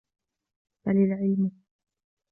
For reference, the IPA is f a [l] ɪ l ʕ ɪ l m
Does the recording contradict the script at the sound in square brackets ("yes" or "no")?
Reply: no